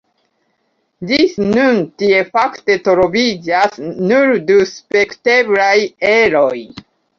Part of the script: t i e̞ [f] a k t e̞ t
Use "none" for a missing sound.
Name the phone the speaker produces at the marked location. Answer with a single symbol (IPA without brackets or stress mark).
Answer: f